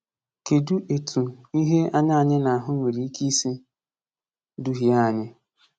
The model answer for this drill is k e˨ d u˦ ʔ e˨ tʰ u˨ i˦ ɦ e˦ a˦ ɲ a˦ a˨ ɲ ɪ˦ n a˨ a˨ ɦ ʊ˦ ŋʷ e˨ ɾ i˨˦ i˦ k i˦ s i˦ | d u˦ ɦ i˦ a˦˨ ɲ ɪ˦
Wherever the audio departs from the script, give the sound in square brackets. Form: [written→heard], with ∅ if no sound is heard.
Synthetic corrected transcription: k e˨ d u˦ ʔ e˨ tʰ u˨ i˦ ɦ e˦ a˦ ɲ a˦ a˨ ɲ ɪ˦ n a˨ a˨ ɦ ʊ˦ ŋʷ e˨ ɾ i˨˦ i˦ k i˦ s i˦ | d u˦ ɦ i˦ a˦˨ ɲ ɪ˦